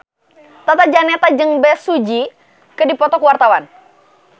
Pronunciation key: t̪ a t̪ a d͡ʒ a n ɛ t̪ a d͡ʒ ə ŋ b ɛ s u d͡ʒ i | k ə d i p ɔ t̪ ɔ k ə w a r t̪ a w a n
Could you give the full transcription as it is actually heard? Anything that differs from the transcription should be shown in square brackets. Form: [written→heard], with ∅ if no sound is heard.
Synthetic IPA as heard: t̪ a t̪ a d͡ʒ a n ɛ t̪ a d͡ʒ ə ŋ b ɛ s u d͡ʒ i | k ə d i p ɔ t̪ ɔ k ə w a r t̪ a w a n